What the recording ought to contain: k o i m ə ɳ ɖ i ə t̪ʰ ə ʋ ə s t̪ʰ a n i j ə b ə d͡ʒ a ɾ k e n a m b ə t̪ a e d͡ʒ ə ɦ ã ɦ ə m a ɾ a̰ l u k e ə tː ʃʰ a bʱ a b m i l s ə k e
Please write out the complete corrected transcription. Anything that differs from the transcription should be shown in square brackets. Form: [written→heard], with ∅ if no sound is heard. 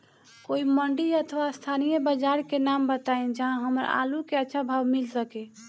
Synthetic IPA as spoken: k o i m ə ɳ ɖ i ə t̪ʰ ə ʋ [ə→a] s t̪ʰ a n i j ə b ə d͡ʒ a ɾ k e n a m b ə t̪ a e d͡ʒ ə ɦ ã ɦ ə m [a→ə] ɾ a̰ l u k e ə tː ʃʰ a bʱ a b m i l s ə k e